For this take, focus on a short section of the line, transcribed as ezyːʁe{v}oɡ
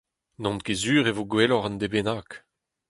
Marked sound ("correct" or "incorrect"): correct